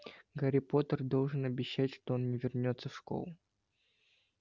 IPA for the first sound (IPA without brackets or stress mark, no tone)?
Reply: ɡ